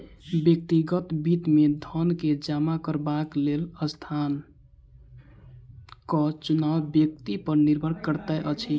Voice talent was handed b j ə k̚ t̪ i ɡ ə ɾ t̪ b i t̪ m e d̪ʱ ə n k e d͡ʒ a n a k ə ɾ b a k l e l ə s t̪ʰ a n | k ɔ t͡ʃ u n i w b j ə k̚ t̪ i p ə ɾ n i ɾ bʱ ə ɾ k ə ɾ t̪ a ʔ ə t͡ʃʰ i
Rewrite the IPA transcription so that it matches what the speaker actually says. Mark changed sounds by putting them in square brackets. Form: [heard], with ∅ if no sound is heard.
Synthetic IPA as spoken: b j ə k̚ t̪ i ɡ ə [∅] t̪ b i t̪ m e d̪ʱ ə n k e d͡ʒ a [m] a k ə ɾ b a k l e l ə s t̪ʰ a n | k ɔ t͡ʃ u n [a] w b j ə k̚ t̪ i p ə ɾ n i ɾ bʱ ə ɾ k ə ɾ t̪ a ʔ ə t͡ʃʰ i